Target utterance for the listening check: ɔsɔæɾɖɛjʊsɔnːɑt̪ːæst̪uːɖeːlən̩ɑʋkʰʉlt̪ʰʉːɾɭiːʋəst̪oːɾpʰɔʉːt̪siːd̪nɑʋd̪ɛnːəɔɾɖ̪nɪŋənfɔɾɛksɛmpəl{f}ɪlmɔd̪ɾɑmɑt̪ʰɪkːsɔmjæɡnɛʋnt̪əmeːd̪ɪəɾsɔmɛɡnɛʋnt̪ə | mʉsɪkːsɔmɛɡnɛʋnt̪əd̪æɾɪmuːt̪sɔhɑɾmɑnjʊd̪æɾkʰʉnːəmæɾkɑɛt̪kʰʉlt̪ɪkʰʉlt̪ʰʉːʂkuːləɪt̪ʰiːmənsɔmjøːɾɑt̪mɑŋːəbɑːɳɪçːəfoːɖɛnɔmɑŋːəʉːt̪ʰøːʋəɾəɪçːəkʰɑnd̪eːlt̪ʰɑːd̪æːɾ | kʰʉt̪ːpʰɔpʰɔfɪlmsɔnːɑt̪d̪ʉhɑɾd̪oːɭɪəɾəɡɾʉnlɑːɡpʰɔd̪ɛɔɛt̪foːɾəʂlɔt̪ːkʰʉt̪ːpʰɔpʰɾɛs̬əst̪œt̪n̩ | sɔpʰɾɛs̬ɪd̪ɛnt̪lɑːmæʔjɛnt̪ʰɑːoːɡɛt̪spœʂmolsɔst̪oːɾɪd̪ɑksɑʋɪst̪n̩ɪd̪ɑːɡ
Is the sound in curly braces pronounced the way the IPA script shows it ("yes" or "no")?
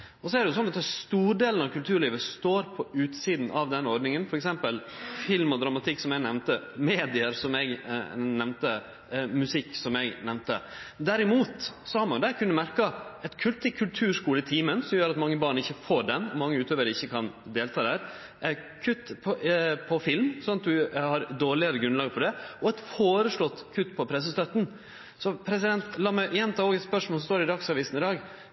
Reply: yes